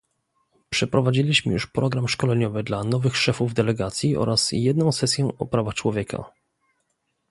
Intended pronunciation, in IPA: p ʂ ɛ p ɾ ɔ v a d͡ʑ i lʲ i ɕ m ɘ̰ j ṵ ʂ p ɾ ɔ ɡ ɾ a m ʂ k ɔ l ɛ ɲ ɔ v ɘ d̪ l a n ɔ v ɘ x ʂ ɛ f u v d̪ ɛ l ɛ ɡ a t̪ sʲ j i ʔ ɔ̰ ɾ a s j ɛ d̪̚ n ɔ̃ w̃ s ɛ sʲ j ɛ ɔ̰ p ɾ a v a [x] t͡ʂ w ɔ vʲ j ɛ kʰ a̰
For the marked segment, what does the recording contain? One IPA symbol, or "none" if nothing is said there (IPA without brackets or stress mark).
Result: x